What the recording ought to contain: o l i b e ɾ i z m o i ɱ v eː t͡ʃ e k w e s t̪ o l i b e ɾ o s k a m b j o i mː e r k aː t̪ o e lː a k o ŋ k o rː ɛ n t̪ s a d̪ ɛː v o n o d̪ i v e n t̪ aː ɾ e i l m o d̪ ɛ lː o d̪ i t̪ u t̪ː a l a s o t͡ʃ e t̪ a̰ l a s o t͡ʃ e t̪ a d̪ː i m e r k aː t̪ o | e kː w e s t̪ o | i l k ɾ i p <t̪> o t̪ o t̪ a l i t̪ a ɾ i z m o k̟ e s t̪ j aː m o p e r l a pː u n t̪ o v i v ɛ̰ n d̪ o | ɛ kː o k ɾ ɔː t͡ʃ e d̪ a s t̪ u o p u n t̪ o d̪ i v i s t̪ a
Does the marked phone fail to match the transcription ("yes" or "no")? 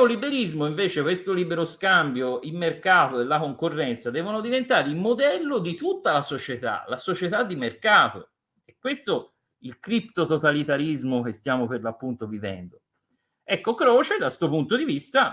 no